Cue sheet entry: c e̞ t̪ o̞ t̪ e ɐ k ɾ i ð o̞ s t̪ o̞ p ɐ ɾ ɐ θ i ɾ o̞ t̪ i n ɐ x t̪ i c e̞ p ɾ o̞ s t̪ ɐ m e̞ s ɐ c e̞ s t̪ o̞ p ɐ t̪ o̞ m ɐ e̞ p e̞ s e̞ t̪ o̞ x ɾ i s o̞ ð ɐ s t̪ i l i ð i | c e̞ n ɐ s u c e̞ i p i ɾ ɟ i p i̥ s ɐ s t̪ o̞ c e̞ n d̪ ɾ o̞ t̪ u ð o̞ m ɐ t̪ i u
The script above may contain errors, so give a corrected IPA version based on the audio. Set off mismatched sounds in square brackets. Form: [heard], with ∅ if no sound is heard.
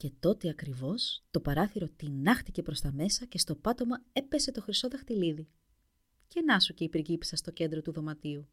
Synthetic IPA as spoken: c e̞ t̪ o̞ t̪ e ɐ k ɾ i [v] o̞ s t̪ o̞ p ɐ ɾ ɐ θ i ɾ o̞ t̪ i n ɐ x t̪ i c e̞ p ɾ o̞ s t̪ ɐ m e̞ s ɐ c e̞ s t̪ o̞ p ɐ t̪ o̞ m ɐ e̞ p e̞ s e̞ t̪ o̞ x ɾ i s o̞ ð ɐ [x] t̪ i l i ð i | c e̞ n ɐ s u c e̞ i p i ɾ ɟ i p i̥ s ɐ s t̪ o̞ c e̞ n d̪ ɾ o̞ t̪ u ð o̞ m ɐ t̪ i u